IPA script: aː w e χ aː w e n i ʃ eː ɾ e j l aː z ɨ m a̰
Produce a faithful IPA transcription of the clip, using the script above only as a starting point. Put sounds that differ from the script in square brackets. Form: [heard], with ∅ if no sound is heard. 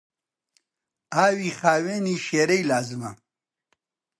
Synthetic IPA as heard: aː w [i] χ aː w e n i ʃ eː ɾ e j l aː z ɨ m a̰